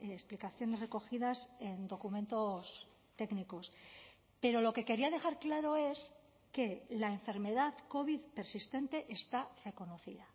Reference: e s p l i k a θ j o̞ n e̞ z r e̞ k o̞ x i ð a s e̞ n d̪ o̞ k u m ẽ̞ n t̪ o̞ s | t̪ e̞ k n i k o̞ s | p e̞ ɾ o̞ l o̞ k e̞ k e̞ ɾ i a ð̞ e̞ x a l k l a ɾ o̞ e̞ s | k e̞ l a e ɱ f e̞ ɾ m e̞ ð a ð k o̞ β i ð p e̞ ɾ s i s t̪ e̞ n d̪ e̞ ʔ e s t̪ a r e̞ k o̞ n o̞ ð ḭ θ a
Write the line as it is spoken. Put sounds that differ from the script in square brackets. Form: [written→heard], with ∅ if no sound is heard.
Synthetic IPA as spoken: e s p l i k a θ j o̞ n e̞ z r e̞ k o̞ x i ð a s e̞ n d̪ o̞ k u m ẽ̞ n t̪ o̞ s | t̪ e̞ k n i k o̞ s | p e̞ ɾ o̞ l o̞ k e̞ k e̞ ɾ i a ð̞ e̞ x a [l→ɾ] k l a ɾ o̞ e̞ s | k e̞ l a e ɱ f e̞ ɾ m e̞ ð a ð k o̞ β i ð p e̞ ɾ s i s t̪ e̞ n [d̪→t̪] e̞ ʔ e s t̪ a r e̞ k o̞ n o̞ [ð→θ] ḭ [θ→ð] a

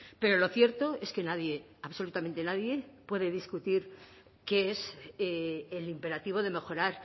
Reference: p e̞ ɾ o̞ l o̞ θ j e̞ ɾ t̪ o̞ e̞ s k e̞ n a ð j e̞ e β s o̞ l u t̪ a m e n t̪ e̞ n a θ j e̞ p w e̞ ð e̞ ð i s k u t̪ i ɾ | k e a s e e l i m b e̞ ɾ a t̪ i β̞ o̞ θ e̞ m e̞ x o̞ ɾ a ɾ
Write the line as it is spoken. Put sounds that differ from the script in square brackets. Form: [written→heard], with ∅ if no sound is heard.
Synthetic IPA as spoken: p e̞ ɾ o̞ l o̞ θ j e̞ ɾ t̪ o̞ e̞ s k e̞ n a ð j e̞ [e→a] β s o̞ l u t̪ a m e n t̪ e̞ n a [θ→ð] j e̞ p w e̞ ð e̞ ð i s k u t̪ i ɾ | k e [a→e] s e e l i m [b→p] e̞ ɾ a t̪ i β̞ o̞ [θ→ð] e̞ m e̞ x o̞ ɾ a ɾ

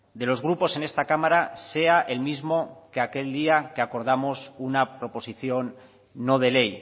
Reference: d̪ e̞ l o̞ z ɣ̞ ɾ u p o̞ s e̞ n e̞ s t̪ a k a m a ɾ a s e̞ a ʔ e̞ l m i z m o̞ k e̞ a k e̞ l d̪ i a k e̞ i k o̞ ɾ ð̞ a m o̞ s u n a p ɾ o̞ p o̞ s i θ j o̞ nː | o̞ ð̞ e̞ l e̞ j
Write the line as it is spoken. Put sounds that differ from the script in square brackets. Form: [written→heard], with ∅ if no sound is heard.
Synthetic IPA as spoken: d̪ e̞ l o̞ z ɣ̞ ɾ u p o̞ s e̞ n e̞ s t̪ a k a m a ɾ a s e̞ a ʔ e̞ l m i z m o̞ k e̞ a k e̞ l d̪ i a k e̞ [i→a] k o̞ ɾ ð̞ a m o̞ s u n a p ɾ o̞ p o̞ s i θ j o̞ nː | o̞ ð̞ e̞ l e̞ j

